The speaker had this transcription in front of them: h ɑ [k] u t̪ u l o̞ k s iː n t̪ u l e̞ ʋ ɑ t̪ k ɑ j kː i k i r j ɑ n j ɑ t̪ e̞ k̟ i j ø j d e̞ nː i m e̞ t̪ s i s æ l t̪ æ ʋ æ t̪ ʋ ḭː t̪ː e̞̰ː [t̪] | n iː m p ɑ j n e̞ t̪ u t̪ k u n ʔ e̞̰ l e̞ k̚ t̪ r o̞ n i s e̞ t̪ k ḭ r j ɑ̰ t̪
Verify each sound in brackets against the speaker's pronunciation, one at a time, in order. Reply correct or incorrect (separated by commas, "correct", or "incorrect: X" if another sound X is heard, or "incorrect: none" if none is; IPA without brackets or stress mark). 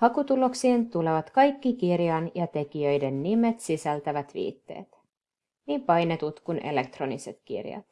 correct, correct